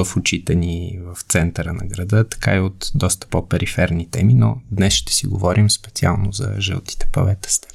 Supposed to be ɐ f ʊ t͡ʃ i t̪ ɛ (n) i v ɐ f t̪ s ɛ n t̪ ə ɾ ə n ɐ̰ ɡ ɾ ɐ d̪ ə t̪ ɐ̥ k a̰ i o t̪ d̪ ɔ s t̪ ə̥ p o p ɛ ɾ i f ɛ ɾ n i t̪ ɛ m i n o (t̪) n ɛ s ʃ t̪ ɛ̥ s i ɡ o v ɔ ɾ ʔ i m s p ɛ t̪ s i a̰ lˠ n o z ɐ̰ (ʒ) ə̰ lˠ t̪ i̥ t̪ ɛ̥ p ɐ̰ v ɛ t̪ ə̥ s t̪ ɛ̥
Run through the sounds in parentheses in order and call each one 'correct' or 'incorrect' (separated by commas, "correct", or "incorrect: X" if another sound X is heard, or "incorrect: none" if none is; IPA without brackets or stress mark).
correct, incorrect: d̪, correct